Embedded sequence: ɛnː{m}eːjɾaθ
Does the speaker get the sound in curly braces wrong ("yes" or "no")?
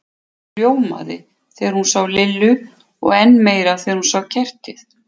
no